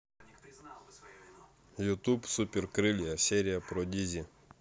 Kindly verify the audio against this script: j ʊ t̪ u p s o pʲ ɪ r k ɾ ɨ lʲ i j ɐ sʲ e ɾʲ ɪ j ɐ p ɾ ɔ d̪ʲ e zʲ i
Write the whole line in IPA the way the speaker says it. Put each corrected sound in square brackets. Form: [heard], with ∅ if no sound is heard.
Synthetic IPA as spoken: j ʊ t̪ u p s [u] pʲ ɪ r k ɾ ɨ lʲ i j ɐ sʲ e ɾʲ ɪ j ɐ p ɾ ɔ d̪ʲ [i] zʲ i